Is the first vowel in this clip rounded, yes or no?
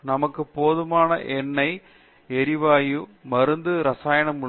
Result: no